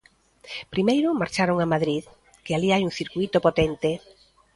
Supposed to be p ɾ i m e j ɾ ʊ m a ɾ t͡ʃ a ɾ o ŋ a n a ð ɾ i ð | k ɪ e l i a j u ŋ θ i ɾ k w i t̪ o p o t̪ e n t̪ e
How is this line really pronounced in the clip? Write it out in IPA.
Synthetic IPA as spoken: p ɾ i m e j ɾ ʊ m a ɾ t͡ʃ a ɾ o ŋ a m a ð ɾ i ð | k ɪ a l i a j u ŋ θ i ɾ k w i t̪ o p o t̪ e n t̪ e